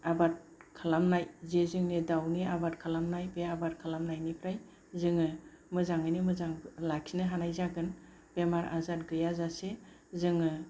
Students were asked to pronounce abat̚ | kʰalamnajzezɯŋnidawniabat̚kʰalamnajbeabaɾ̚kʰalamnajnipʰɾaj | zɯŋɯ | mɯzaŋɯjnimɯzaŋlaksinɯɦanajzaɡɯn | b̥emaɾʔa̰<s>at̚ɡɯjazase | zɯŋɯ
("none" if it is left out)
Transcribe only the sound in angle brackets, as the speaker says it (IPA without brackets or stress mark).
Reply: z